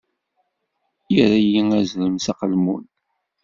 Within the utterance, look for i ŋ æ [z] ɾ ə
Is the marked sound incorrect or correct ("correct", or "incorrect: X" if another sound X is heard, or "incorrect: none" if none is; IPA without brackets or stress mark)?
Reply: correct